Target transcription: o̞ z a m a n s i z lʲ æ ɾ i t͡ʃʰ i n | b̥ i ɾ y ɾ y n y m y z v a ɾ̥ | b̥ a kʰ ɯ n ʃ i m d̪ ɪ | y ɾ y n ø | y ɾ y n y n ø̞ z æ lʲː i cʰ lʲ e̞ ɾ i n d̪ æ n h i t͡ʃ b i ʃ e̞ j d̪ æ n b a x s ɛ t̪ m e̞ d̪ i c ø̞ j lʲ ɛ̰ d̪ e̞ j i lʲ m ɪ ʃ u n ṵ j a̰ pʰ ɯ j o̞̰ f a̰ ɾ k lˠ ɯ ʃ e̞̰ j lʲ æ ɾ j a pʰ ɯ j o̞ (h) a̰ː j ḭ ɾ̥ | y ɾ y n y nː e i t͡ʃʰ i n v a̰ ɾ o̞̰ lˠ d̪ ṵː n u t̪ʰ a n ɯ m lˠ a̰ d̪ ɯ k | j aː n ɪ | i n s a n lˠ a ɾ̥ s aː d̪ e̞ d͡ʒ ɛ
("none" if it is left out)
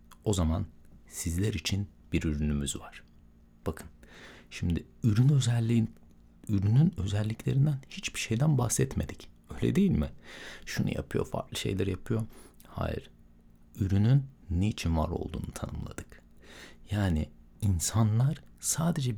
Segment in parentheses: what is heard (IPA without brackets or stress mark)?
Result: h